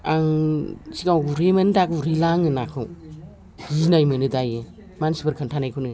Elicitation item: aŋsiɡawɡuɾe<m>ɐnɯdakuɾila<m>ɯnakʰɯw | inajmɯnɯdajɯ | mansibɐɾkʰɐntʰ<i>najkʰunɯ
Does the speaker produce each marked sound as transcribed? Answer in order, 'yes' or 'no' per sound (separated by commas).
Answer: yes, no, no